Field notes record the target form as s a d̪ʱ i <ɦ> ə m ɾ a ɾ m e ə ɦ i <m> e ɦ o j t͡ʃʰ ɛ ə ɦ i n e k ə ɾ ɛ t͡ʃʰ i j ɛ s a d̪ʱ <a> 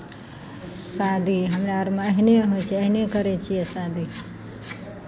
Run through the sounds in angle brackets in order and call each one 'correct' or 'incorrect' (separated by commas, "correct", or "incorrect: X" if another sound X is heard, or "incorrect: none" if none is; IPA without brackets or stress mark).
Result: correct, incorrect: n, incorrect: i